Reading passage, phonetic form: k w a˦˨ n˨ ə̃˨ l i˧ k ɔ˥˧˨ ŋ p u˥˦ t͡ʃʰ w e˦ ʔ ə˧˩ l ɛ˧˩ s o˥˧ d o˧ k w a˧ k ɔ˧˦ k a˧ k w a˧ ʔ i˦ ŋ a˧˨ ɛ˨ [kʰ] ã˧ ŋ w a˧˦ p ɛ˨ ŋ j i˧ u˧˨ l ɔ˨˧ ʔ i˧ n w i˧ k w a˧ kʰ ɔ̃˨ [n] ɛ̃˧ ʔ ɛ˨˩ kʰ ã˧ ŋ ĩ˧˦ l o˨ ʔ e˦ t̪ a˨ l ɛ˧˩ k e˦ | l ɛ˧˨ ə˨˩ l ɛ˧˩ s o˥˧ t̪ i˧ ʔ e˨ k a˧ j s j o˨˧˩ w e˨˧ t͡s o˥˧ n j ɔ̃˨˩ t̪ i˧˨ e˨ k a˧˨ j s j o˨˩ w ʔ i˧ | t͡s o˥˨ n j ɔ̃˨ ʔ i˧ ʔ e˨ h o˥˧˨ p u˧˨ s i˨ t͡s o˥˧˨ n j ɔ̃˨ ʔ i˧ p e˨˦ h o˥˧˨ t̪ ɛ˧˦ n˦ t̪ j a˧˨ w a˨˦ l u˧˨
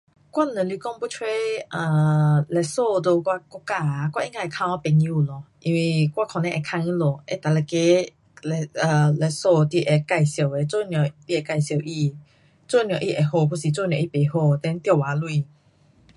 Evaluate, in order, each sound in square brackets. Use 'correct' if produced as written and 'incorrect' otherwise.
correct, correct

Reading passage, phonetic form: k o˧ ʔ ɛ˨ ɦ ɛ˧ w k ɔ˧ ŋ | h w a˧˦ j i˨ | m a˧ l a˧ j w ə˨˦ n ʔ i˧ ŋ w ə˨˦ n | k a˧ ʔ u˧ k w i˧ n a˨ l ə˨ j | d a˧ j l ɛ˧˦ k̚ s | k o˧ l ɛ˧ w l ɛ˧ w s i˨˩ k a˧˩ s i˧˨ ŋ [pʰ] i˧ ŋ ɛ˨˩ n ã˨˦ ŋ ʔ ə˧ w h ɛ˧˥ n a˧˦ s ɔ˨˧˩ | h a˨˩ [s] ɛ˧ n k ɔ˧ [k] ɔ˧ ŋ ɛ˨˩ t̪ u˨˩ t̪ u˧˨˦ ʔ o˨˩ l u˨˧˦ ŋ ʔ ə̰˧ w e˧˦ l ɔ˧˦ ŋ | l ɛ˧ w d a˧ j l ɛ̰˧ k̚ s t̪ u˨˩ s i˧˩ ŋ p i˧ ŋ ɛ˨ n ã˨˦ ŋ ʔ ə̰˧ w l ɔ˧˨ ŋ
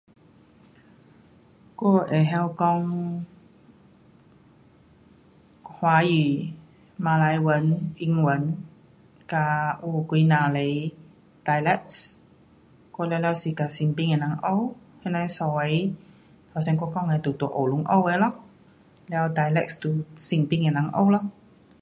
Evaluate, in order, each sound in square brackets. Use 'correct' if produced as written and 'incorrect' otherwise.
incorrect, correct, correct

